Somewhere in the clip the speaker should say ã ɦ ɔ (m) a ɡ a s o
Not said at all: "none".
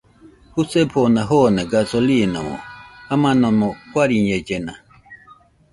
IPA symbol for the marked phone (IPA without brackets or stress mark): n